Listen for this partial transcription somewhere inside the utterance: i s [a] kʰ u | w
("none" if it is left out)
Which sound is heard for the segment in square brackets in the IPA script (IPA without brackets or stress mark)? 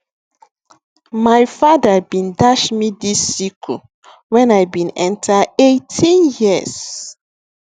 i